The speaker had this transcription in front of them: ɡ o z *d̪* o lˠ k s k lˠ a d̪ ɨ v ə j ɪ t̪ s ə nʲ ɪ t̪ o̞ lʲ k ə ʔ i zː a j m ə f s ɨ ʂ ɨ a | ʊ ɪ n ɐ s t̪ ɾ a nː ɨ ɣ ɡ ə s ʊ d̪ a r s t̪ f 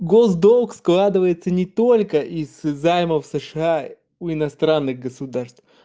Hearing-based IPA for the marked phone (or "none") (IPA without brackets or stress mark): d̪